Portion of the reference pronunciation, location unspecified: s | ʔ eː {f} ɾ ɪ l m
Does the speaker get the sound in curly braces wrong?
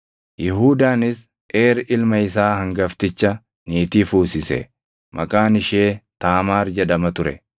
yes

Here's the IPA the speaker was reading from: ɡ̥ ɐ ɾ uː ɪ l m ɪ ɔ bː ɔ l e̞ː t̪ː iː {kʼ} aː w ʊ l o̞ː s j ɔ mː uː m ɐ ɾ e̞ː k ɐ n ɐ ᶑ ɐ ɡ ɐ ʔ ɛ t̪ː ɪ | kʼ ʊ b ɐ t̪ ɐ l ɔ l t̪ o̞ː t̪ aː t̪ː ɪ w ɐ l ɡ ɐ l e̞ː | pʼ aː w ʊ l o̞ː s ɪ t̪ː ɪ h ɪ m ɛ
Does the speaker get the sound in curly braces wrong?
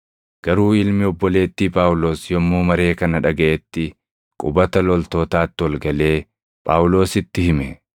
yes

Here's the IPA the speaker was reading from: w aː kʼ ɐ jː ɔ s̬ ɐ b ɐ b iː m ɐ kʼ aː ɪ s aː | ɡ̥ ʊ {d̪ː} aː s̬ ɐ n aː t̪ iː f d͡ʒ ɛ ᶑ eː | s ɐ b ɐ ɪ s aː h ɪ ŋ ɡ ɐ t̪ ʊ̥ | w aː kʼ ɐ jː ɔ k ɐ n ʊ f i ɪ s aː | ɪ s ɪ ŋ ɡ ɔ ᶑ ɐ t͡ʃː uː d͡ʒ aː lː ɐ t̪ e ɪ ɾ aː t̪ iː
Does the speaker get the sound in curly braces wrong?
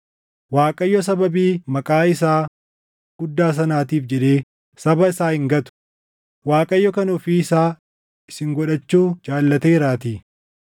no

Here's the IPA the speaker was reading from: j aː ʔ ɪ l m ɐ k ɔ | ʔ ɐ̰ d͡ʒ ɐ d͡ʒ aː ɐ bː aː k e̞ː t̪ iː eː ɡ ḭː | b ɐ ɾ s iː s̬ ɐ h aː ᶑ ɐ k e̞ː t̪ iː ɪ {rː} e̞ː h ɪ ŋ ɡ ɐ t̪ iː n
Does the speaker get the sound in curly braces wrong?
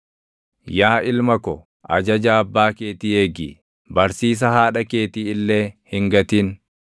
yes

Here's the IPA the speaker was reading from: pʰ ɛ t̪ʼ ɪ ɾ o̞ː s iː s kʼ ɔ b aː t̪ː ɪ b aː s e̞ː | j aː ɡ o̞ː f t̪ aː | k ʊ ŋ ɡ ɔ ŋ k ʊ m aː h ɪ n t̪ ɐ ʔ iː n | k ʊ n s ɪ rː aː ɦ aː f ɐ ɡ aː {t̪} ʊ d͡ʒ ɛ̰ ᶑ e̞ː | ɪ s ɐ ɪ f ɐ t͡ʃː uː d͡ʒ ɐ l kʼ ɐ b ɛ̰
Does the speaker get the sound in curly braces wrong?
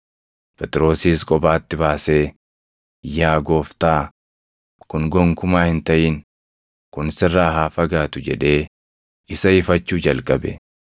no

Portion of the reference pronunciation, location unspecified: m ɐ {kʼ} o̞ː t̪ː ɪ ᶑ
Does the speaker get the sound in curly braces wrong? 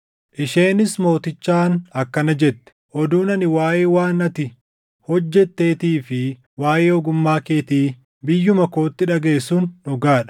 yes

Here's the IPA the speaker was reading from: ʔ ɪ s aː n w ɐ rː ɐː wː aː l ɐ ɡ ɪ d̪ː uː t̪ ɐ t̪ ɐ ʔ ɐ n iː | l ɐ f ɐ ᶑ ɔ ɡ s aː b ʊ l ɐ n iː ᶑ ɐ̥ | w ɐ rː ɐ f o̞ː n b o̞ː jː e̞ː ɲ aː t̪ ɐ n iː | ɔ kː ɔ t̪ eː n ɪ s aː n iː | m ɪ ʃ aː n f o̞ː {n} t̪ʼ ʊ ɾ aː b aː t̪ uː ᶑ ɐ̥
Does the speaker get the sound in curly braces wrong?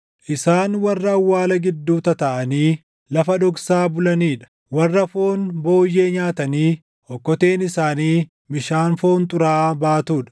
no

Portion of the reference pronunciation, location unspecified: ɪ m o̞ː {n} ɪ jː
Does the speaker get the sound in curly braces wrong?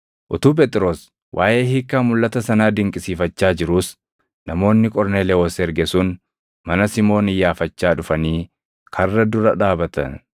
no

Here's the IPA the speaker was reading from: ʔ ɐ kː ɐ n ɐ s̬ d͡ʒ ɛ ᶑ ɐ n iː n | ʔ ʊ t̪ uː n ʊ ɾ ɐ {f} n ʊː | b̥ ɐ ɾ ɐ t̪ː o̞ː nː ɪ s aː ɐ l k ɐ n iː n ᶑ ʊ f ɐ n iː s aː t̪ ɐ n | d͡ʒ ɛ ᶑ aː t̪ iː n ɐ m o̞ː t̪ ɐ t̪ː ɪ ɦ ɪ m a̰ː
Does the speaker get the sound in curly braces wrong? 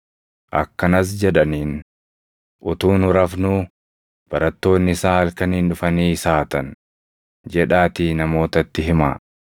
no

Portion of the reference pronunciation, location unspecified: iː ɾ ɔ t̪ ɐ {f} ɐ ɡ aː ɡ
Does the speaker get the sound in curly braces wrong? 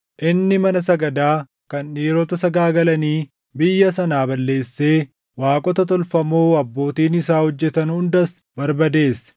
yes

